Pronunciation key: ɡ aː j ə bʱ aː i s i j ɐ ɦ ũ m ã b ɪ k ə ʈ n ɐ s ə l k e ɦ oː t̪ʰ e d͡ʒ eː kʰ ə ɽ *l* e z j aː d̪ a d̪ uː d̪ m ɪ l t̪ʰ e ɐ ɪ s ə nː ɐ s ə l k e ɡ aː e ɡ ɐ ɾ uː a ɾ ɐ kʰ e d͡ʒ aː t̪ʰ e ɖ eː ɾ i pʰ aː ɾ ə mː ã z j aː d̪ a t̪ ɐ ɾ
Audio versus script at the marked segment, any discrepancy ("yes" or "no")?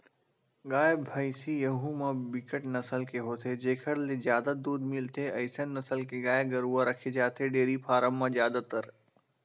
no